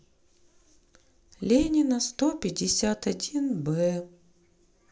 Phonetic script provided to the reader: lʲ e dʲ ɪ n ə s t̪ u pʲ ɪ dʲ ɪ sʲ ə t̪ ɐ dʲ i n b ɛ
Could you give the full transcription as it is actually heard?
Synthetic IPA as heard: lʲ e nʲ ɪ n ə s t̪ o pʲ ɪ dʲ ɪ sʲ a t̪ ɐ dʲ i n b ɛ